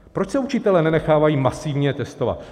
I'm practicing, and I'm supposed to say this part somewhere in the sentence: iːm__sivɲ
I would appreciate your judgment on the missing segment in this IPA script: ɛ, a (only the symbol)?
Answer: a